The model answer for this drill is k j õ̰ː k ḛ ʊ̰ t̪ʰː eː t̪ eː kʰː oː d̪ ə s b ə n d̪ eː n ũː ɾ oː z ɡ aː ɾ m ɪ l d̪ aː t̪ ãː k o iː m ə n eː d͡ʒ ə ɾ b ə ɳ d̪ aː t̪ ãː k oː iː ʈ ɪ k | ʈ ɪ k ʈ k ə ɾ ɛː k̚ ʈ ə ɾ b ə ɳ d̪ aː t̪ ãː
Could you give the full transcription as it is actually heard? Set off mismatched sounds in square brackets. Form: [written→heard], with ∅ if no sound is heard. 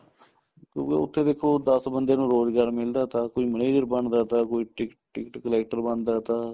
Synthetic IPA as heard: k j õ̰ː k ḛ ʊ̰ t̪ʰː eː [t̪→d̪] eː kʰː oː d̪ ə s b ə n d̪ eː n ũː ɾ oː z ɡ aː ɾ m ɪ l d̪ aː t̪ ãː k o iː m ə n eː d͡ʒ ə ɾ b ə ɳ d̪ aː t̪ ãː k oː iː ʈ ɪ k | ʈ ɪ k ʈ k ə [ɾ→l] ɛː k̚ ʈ ə ɾ b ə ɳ d̪ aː t̪ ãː